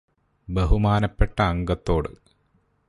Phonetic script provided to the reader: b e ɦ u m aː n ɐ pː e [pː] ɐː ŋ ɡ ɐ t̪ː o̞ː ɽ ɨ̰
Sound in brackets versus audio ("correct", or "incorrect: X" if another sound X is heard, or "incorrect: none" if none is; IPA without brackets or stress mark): incorrect: ʈː